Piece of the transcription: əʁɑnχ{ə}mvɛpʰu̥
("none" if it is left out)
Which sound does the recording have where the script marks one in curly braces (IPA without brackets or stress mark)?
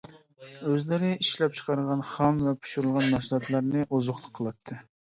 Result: ɑ